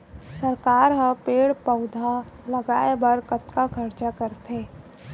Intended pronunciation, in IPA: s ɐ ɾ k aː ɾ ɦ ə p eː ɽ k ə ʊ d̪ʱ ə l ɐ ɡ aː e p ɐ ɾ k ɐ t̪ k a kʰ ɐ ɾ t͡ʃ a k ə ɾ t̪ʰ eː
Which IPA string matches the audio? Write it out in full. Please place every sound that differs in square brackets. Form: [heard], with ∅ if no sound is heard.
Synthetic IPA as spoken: s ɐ ɾ k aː ɾ ɦ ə p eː ɽ [p] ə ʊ d̪ʱ [a] l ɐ ɡ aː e [b] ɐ ɾ k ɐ t̪ k a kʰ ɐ ɾ t͡ʃ a k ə ɾ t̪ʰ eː